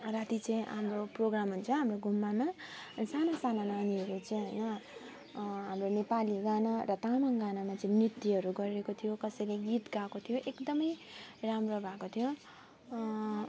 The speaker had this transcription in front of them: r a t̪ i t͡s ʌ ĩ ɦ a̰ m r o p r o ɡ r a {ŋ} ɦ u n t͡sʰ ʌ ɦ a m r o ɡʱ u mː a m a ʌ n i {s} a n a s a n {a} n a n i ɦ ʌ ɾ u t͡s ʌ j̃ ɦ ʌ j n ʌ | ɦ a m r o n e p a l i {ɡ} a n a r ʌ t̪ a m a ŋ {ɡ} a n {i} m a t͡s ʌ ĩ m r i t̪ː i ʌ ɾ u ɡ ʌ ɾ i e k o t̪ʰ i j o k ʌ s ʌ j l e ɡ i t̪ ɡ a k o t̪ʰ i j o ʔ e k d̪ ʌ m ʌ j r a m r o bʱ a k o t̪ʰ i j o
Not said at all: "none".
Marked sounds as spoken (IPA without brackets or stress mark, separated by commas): m, s, a, ɡ, ɡ, a